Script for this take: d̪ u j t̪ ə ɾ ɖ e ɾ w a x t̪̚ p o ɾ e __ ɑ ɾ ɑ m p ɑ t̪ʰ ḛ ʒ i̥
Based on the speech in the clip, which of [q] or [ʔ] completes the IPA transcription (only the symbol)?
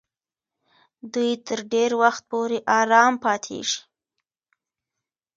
ʔ